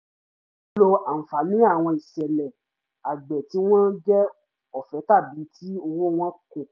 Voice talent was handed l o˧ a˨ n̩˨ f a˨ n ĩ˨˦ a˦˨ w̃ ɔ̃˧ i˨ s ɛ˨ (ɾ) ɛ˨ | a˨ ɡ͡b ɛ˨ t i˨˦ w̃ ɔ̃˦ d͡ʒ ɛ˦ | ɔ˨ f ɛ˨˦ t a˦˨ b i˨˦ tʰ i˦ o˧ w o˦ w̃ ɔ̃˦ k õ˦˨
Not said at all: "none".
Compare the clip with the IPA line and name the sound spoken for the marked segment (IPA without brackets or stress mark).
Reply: l